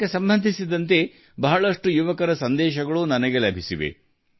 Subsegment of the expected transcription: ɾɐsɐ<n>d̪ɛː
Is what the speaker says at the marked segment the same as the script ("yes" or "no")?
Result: yes